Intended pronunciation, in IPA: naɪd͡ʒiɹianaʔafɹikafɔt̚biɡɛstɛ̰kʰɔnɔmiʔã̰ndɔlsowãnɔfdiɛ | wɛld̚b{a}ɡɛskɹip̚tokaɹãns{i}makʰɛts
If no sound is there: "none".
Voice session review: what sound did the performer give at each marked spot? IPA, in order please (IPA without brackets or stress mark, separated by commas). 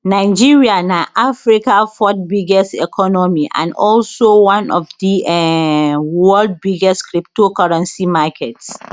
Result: i, i